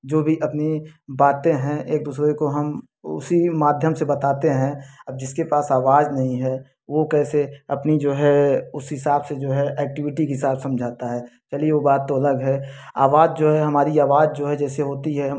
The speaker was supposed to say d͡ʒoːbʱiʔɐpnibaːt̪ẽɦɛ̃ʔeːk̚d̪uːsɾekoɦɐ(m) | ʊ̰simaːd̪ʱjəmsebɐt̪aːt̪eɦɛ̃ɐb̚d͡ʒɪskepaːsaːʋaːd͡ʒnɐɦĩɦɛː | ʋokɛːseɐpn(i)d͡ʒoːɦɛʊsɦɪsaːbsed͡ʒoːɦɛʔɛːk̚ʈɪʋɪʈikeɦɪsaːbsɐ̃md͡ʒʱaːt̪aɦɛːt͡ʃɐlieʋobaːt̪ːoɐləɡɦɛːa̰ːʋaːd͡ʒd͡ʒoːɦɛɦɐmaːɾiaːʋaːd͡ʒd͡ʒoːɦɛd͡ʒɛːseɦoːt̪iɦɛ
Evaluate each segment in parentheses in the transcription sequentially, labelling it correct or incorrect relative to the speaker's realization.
correct, correct

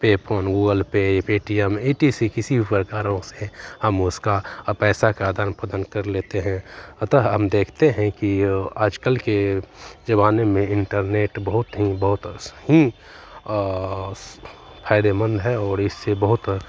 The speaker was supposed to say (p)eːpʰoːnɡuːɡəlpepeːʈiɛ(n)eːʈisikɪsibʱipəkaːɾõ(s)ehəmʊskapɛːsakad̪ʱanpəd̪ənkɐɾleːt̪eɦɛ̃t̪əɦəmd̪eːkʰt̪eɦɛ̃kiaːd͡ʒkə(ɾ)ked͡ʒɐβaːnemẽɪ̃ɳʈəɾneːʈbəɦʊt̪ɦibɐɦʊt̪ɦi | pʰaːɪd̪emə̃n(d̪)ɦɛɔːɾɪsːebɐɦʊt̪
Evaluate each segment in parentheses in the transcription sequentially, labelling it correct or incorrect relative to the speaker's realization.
correct, incorrect: m, correct, incorrect: l, correct

